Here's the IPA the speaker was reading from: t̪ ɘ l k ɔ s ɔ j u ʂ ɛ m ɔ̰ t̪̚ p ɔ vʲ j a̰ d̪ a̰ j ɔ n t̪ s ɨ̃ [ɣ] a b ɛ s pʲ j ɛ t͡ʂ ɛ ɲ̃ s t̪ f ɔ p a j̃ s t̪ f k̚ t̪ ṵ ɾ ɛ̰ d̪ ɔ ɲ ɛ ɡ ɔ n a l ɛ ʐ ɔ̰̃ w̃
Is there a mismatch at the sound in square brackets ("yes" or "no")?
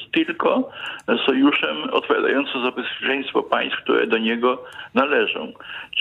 yes